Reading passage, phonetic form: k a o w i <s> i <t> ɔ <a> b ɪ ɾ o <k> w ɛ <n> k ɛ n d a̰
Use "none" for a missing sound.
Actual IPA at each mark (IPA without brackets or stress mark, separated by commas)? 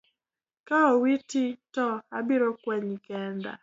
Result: t, t, a, k, ɲ